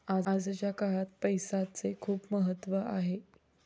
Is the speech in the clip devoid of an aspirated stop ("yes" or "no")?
no